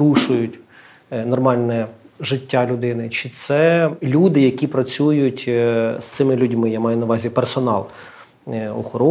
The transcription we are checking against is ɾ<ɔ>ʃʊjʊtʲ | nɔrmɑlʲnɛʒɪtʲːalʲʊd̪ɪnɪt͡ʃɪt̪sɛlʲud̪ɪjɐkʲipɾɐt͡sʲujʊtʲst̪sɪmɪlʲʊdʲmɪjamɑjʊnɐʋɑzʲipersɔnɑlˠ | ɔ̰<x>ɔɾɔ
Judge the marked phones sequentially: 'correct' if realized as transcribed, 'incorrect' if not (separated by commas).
incorrect, correct